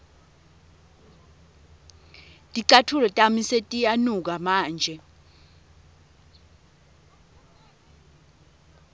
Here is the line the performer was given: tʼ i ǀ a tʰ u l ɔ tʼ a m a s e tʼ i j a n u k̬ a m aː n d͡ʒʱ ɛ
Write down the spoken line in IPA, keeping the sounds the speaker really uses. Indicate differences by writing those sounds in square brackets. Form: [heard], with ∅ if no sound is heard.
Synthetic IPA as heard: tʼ i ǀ a tʰ u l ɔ tʼ a m [i] s e tʼ i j a n u k̬ a m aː n d͡ʒʱ ɛ